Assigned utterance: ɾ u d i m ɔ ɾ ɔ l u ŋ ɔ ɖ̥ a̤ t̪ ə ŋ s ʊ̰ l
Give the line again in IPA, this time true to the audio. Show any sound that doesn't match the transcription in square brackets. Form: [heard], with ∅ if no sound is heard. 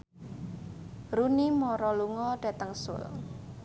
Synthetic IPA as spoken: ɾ u [n] i m ɔ ɾ ɔ l u ŋ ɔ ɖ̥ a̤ t̪ ə ŋ s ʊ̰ l